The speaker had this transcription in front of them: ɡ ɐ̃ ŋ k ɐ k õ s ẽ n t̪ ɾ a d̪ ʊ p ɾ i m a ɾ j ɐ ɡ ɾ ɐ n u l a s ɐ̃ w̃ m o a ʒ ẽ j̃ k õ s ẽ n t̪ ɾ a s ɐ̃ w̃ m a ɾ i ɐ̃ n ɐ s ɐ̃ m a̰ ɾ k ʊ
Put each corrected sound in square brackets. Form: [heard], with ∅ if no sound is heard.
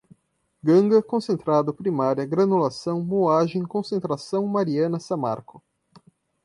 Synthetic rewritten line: ɡ ɐ̃ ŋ [ɡ] ɐ k õ s ẽ n t̪ ɾ a d̪ ʊ p ɾ i m a ɾ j ɐ ɡ ɾ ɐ n u l a s ɐ̃ w̃ m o a ʒ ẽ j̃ k õ s ẽ n t̪ ɾ a s ɐ̃ w̃ m a ɾ i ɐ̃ n ɐ s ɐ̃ m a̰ ɾ k ʊ